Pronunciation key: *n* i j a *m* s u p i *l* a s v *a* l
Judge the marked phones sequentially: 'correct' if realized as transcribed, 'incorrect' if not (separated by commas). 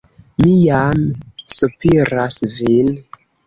incorrect, correct, incorrect, incorrect